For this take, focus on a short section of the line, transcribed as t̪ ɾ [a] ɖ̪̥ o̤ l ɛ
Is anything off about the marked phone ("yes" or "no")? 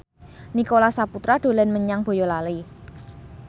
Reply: no